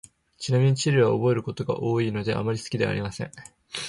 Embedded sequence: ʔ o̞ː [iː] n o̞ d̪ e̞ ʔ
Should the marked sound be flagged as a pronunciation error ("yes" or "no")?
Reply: no